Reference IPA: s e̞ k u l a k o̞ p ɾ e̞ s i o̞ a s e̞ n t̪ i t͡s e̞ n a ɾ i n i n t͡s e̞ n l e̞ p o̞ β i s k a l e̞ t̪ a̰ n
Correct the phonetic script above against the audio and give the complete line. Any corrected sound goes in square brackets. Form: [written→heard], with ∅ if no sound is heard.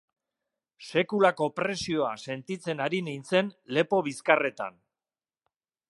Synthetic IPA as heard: s e̞ k u l a k o̞ p ɾ e̞ s i o̞ a s e̞ n t̪ i t͡s e̞ n a ɾ i n i n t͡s e̞ n l e̞ p o̞ β i s k a [l→r] e̞ t̪ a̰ n